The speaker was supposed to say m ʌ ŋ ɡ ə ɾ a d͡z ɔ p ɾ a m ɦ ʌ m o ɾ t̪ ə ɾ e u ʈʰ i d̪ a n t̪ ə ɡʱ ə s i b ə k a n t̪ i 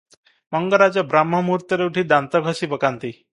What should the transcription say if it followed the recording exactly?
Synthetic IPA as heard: m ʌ ŋ ɡ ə ɾ a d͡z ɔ b ɾ a m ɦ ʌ m u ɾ t̪ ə ɾ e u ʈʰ i d̪ a n t̪ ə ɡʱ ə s i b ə k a n t̪ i